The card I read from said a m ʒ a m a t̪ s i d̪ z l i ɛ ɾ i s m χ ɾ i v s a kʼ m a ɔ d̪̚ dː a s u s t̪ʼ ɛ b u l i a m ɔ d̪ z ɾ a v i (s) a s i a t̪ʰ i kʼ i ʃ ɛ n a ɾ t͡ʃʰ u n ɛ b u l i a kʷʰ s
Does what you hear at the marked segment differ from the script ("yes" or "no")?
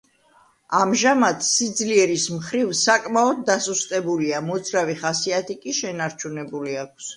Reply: yes